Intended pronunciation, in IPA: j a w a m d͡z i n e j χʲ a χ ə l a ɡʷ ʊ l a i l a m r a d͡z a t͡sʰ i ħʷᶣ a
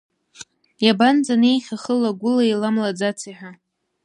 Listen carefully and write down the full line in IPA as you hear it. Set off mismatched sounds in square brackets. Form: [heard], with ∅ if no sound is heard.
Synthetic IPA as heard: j a [b] a [n] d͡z [a] n e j χʲ a χ ə l a ɡʷ ʊ l a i l a m [l] a d͡z a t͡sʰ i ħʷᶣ a